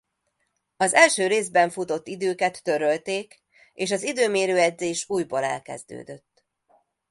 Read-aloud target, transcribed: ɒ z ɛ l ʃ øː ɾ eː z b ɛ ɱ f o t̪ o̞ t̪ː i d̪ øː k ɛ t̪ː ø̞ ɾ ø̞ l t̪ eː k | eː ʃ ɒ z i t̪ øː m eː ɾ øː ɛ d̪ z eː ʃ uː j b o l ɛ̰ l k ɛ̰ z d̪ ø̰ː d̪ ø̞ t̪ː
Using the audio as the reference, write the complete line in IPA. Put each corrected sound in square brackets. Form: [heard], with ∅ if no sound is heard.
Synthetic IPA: ɒ z ɛ l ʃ øː ɾ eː z b ɛ ɱ f [u] t̪ o̞ t̪ː i d̪ øː k ɛ t̪ː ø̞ ɾ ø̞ l t̪ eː k | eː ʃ ɒ z i [d̪] øː m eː ɾ øː ɛ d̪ z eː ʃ uː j b o l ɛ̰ l k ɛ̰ z d̪ ø̰ː d̪ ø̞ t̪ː